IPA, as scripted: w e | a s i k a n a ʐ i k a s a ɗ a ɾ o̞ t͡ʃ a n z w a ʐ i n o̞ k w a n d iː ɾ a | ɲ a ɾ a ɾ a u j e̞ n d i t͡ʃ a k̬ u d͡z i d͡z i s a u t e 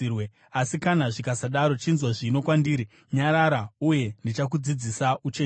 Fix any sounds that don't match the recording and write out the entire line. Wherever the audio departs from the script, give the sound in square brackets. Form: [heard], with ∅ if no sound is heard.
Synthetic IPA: w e | a s i k a n a ʐ i k a s a ɗ a ɾ o̞ t͡ʃ [i] n z w a ʐ i n o̞ k w a n d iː ɾ [i] | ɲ a ɾ a ɾ a u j e̞ n d i t͡ʃ a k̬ u d͡z i d͡z i s a u [t͡ʃ] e